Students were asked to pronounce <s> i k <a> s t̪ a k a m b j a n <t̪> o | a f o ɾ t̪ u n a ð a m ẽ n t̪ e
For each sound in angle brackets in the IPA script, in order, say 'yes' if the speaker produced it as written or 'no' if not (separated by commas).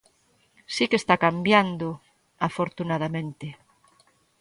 yes, no, no